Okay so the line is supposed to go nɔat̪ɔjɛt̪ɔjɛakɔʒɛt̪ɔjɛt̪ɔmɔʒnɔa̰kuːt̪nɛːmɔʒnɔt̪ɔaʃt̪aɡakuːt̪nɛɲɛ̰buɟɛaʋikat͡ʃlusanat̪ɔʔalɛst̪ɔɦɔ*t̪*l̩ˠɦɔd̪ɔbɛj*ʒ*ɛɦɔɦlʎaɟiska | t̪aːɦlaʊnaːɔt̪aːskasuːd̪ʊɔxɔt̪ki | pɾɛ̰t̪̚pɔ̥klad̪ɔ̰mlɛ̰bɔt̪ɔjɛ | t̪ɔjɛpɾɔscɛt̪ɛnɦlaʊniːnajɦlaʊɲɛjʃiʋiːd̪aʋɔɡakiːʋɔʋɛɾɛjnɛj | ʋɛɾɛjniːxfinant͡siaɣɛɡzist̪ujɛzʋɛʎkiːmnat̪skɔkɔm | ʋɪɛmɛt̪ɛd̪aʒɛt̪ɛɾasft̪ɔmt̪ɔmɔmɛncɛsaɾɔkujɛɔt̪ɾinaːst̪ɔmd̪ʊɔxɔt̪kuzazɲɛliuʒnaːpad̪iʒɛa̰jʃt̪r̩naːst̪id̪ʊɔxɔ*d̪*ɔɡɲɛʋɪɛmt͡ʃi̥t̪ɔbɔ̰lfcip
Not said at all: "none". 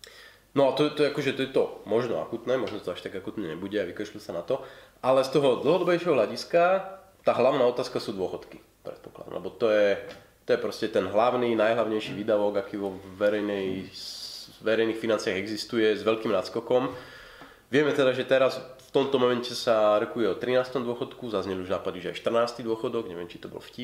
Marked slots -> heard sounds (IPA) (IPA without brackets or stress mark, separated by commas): d̪, ʃ, d̪